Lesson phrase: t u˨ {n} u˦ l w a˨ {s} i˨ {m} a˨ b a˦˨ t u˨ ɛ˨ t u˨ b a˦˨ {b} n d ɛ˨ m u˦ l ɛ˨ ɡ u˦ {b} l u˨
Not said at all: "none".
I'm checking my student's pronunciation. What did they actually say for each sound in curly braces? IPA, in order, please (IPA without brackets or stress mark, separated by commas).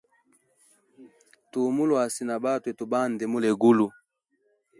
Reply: m, s, n, none, none